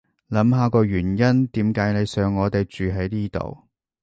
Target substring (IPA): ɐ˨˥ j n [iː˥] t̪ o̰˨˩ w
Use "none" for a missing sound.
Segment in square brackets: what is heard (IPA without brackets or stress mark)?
iː˥